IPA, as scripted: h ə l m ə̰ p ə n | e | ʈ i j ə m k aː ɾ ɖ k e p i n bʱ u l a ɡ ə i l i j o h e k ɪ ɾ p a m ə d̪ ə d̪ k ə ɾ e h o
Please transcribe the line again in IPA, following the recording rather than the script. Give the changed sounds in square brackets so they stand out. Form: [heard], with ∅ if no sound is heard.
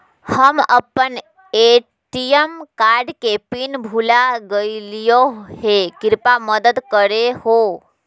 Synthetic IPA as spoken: h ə [∅] m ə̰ p ə n | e | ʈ i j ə m k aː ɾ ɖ k e p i n bʱ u l a ɡ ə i l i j o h e k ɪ ɾ p a m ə d̪ ə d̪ k ə ɾ e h o